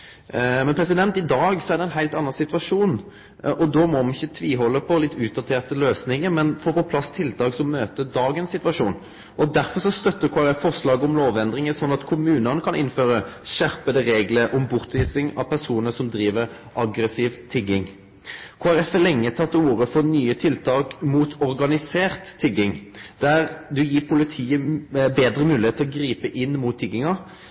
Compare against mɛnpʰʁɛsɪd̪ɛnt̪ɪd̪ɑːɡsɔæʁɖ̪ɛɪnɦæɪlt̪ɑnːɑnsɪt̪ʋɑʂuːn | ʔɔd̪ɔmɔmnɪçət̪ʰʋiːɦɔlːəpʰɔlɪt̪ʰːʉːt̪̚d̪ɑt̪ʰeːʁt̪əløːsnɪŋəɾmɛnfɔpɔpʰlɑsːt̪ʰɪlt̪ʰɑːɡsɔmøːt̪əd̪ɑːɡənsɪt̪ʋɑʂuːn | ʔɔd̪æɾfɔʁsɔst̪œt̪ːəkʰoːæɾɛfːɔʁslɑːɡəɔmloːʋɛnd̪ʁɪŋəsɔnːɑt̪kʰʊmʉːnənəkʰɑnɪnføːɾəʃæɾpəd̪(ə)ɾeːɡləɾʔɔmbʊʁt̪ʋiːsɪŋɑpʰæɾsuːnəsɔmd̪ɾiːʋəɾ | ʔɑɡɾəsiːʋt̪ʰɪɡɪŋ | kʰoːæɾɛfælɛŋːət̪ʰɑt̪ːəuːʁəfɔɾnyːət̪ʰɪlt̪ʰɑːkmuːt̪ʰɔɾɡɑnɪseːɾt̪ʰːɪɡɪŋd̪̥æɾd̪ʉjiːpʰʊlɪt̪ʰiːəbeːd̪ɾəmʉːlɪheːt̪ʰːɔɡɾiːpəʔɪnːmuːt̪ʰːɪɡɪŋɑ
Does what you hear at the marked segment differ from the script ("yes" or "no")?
no